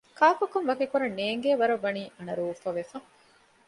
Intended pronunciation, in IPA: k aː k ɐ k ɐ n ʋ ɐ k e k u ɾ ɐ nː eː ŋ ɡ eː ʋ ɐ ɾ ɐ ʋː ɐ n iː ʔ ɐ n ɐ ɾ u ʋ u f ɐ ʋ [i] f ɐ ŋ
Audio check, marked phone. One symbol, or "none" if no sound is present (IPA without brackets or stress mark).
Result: e